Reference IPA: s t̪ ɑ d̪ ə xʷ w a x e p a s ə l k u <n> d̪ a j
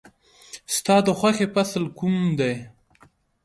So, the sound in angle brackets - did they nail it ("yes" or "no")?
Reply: no